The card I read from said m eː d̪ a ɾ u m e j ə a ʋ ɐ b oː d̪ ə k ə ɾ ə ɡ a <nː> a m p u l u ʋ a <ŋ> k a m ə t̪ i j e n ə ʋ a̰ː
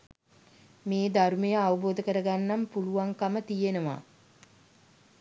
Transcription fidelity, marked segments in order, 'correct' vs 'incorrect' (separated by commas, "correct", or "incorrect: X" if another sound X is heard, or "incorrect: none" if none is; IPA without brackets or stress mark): correct, correct